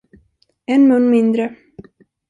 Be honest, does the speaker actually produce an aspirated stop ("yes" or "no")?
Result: no